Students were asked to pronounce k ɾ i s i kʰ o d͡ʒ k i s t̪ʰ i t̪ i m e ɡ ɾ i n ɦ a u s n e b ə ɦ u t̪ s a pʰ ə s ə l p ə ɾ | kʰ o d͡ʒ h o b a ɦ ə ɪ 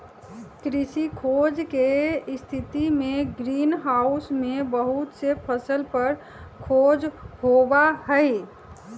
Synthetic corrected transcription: k ɾ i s i kʰ o d͡ʒ k e s t̪ʰ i t̪ i m e ɡ ɾ i n ɦ a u s m e b ə ɦ u t̪ s e pʰ ə s ə l p ə ɾ | kʰ o d͡ʒ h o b a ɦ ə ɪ